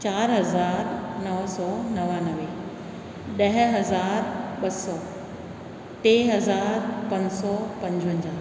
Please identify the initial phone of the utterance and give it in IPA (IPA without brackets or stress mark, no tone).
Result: t͡ɕ